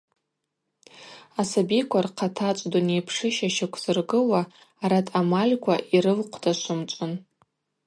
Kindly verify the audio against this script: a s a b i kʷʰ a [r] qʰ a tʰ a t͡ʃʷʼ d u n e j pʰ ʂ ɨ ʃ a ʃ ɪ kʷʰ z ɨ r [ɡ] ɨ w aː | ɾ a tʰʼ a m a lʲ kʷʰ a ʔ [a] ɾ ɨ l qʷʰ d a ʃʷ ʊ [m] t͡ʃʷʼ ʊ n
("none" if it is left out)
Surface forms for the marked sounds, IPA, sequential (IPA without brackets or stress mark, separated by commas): r, ɡ, i, m